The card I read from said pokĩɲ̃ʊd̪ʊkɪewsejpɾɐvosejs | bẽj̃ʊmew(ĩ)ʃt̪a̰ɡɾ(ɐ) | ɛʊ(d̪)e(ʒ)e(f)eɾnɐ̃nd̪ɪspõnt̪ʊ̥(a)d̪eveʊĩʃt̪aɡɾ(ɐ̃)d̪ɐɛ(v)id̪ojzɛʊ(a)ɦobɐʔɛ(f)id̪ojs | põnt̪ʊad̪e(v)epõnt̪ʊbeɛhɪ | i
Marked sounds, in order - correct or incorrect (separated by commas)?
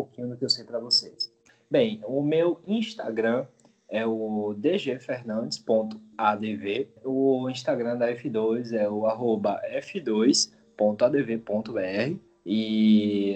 correct, incorrect, correct, correct, correct, correct, correct, incorrect, correct, correct, correct